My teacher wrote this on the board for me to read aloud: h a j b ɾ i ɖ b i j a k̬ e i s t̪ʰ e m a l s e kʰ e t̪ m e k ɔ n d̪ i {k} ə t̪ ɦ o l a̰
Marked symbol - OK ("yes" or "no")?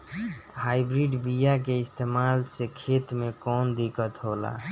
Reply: yes